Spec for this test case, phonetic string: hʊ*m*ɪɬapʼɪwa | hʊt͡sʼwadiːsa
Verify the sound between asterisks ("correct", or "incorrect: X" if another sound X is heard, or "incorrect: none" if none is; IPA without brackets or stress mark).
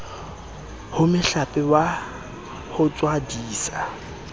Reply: correct